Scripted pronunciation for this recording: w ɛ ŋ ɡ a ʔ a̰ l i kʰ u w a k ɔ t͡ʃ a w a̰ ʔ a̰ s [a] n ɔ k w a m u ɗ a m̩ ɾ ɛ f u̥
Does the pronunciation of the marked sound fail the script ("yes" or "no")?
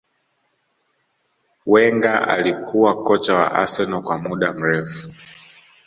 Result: yes